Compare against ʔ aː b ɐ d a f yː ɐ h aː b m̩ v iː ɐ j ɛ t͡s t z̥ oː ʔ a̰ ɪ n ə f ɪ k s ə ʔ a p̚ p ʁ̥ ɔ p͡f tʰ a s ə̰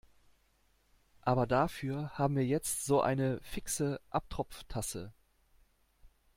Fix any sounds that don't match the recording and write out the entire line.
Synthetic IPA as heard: ʔ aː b ɐ d a f yː ɐ h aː b m̩ v iː ɐ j ɛ t͡s t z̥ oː ʔ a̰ ɪ n ə f ɪ k s ə ʔ a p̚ t ʁ̥ ɔ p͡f tʰ a s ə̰